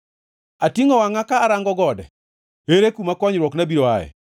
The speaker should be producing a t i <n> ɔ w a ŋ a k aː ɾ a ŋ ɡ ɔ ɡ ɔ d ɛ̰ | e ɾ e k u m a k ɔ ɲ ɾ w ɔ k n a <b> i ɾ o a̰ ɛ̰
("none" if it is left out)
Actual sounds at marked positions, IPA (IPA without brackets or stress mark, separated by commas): ŋ, b